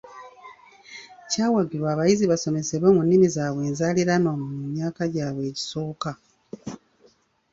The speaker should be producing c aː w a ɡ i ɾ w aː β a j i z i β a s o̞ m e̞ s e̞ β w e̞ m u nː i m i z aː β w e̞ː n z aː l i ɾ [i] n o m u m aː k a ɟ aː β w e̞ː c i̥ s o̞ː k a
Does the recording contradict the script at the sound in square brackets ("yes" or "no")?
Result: yes